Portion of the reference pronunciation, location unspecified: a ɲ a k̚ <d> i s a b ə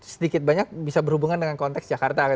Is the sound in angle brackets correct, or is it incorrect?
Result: incorrect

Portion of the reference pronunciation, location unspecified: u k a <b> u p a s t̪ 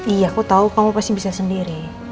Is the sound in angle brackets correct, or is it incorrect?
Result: incorrect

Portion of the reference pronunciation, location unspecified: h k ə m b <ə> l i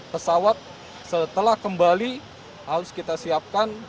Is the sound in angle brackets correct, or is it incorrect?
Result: incorrect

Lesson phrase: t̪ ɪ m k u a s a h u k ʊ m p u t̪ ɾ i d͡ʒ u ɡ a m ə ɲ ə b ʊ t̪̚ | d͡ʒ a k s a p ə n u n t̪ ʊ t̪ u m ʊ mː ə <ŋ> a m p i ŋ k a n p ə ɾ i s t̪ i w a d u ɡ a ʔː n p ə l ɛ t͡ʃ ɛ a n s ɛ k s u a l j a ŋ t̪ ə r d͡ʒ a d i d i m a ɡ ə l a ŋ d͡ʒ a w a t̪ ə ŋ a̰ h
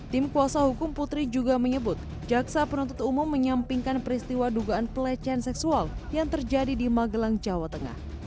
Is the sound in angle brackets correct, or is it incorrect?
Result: incorrect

